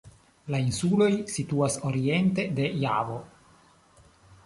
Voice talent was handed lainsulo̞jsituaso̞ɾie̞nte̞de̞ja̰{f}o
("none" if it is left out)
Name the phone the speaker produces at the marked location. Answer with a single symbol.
v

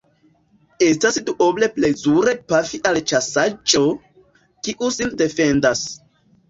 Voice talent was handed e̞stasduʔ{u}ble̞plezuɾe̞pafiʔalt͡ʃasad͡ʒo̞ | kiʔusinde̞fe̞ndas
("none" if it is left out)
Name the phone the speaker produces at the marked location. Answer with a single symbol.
o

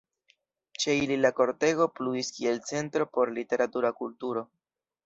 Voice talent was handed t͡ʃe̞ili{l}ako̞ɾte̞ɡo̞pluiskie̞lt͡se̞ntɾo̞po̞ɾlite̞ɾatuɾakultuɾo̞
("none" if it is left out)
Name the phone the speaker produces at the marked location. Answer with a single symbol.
l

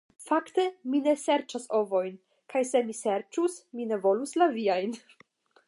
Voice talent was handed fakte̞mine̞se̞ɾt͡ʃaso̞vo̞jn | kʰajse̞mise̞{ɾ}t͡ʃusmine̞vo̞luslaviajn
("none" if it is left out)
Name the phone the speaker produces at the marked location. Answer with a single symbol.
ɾ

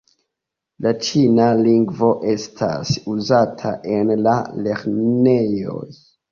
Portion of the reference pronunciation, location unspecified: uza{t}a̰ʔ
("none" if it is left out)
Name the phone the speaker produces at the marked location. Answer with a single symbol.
tʰ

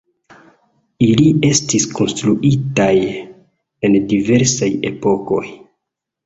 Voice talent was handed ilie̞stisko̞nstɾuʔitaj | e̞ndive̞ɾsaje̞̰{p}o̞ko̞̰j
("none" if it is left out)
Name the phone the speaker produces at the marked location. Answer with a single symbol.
p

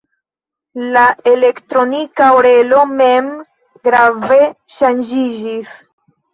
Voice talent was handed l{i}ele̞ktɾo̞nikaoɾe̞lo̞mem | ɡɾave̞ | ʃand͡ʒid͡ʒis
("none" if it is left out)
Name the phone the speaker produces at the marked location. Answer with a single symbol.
a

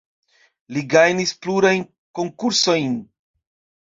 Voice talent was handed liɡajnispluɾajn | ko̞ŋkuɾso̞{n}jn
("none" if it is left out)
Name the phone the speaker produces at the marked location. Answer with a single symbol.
none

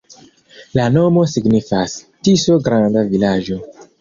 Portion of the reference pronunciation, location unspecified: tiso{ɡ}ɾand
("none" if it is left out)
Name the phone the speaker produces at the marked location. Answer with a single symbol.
ɡ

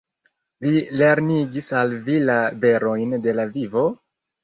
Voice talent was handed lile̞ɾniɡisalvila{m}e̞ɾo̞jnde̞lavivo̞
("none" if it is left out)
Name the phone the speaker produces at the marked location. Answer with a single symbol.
b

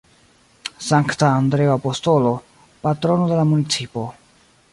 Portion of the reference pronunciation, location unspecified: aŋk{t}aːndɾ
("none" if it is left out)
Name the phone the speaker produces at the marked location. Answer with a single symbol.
t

